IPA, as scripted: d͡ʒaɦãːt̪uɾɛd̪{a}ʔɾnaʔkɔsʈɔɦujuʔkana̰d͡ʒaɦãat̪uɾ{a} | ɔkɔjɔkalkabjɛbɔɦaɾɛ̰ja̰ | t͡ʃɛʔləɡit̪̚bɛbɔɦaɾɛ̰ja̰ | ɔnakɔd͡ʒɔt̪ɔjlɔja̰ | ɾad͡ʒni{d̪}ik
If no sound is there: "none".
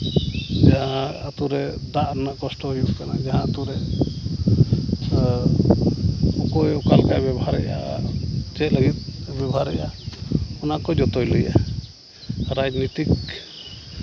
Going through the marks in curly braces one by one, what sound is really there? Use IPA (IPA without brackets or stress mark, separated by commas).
a, ɛ, t̪